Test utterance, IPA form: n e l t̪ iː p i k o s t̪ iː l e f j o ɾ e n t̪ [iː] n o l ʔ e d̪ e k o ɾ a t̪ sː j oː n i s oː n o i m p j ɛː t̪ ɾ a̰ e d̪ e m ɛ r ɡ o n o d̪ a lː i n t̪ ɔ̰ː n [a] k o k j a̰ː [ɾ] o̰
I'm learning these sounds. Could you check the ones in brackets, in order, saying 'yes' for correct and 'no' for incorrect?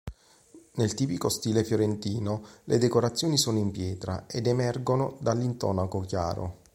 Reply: yes, yes, yes

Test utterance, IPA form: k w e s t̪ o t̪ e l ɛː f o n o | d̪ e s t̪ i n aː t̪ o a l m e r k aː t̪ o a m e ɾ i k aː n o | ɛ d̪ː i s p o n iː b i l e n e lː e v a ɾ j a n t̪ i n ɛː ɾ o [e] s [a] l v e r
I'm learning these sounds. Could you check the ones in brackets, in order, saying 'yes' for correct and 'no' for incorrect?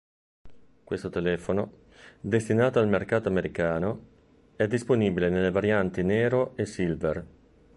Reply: yes, no

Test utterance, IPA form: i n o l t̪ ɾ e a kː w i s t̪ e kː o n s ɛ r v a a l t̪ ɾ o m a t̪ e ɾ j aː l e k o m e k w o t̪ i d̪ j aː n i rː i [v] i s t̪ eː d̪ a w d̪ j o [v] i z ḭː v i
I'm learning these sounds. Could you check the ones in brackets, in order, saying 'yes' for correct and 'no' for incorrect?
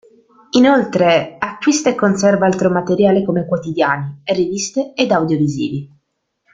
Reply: yes, yes

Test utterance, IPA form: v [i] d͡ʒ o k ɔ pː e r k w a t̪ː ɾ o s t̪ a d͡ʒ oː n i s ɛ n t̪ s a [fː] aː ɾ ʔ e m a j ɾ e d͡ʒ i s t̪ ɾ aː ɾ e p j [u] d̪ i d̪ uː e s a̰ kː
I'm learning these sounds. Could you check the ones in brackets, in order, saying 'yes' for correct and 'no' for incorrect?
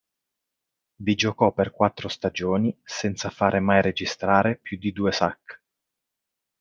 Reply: yes, no, yes

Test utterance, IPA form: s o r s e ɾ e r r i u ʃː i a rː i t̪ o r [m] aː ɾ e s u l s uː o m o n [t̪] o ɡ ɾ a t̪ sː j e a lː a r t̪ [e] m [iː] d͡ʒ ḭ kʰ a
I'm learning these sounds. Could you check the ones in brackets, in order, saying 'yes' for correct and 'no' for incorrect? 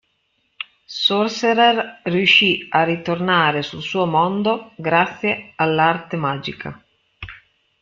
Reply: no, no, yes, no

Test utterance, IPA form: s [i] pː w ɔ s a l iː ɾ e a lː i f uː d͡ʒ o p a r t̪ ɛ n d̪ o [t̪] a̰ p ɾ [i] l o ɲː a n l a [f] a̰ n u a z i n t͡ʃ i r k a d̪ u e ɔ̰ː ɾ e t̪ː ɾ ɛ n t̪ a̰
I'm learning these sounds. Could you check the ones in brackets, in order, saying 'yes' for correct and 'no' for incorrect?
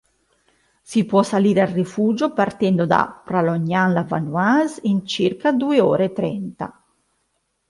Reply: yes, no, no, no

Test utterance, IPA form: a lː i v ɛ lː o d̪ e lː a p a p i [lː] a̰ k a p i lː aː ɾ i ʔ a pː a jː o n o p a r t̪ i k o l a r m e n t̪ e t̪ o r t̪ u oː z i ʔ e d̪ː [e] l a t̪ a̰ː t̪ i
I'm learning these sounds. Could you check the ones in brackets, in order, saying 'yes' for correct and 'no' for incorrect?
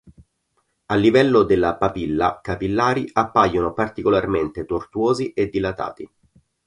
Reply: yes, no

